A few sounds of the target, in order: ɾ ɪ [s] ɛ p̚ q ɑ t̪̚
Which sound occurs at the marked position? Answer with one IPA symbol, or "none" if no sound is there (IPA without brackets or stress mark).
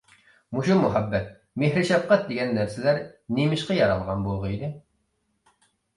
ʃ